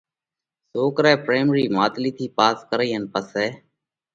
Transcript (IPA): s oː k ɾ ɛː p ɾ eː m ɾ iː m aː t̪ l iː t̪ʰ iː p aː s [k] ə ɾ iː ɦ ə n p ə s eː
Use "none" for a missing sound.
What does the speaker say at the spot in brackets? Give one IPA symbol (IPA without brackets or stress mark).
k